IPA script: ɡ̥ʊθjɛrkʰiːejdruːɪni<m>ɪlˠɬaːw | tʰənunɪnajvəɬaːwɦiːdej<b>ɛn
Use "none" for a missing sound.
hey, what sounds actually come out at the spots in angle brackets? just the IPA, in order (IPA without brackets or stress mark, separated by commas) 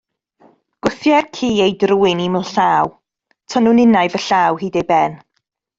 m, b